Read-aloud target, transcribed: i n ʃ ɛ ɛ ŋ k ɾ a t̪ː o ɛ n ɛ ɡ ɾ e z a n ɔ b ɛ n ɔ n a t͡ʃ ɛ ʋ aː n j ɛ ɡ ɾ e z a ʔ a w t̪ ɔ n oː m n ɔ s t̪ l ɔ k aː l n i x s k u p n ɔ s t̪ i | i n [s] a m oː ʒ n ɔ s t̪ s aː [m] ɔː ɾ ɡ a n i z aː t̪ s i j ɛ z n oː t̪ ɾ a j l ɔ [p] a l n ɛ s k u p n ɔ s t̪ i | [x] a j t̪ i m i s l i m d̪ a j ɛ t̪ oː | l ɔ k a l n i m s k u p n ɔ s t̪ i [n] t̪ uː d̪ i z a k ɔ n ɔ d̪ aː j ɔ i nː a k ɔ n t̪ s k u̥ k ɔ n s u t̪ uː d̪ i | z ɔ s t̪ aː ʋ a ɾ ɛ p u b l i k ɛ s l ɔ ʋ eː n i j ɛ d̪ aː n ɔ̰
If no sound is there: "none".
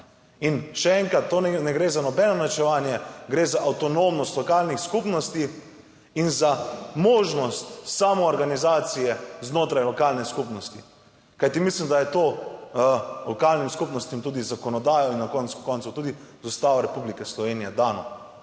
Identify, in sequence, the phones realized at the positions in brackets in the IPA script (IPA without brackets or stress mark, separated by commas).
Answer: z, m, k, k, m